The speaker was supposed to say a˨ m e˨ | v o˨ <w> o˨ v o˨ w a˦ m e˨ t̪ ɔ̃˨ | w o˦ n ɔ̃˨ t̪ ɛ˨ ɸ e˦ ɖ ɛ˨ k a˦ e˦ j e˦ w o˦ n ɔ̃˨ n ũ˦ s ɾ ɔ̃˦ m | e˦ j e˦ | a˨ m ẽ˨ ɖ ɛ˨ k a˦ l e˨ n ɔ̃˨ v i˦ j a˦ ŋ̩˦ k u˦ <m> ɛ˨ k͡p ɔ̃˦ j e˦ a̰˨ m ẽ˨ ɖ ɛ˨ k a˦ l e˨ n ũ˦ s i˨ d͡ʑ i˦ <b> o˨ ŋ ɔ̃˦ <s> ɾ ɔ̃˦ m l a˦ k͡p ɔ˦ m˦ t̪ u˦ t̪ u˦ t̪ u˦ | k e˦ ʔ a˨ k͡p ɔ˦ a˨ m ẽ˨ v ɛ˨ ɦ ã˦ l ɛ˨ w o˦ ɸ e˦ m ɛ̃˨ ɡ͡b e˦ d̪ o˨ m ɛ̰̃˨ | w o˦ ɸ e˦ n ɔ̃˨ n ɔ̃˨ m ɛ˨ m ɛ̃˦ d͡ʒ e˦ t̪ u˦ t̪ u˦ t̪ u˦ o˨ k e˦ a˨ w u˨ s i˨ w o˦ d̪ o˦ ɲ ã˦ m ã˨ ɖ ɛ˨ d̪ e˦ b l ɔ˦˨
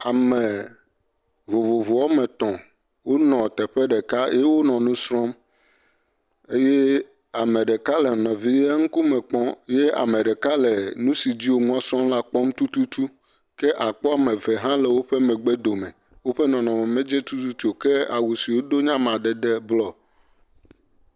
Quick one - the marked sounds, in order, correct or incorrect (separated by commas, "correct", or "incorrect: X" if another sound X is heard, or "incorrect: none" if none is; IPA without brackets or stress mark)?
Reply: incorrect: v, correct, incorrect: w, correct